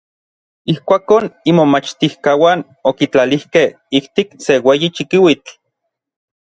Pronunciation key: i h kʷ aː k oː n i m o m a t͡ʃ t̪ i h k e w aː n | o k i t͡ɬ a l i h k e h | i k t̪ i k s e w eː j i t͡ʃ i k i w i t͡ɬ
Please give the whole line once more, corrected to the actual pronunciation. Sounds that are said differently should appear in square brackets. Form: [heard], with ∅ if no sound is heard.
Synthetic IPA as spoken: i h kʷ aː k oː n i m o m a t͡ʃ t̪ i h k [a] w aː n | o k i t͡ɬ a l i h k e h | i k t̪ i k s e w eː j i t͡ʃ i k i w i t͡ɬ